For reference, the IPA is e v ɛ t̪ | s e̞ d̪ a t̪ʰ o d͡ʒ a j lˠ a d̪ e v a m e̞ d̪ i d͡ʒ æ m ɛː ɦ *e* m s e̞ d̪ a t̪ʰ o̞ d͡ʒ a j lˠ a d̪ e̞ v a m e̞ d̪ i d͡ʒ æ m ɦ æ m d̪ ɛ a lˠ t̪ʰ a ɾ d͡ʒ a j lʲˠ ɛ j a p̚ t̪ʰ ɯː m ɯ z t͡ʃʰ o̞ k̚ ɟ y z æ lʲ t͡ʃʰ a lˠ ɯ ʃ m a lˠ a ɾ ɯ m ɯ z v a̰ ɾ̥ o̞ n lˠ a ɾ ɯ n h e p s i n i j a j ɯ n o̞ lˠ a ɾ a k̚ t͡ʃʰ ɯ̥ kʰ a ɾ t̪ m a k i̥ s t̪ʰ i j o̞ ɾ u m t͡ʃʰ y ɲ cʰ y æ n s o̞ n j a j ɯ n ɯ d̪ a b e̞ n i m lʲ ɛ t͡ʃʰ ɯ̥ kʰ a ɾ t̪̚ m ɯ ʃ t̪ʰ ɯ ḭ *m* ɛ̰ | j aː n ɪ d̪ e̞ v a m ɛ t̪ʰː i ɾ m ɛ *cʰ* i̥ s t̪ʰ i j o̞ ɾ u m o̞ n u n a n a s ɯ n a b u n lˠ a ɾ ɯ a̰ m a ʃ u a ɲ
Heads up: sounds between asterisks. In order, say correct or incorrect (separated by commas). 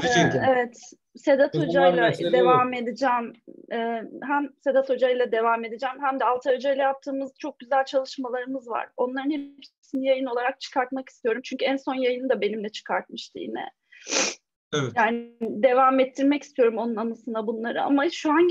incorrect, incorrect, incorrect